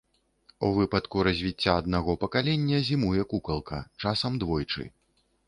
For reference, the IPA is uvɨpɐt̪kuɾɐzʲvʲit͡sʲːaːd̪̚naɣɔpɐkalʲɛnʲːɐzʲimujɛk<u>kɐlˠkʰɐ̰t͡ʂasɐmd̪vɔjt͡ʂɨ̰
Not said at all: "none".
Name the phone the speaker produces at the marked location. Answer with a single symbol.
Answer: u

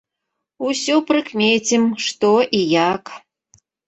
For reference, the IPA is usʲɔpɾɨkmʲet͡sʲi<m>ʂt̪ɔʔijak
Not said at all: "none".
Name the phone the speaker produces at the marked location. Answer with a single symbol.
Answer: m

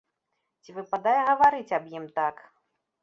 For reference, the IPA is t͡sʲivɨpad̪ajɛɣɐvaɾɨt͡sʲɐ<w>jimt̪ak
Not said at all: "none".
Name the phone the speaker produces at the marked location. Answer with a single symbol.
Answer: b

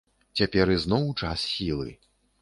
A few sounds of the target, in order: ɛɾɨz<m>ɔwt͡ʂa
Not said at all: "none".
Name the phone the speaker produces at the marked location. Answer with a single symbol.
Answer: n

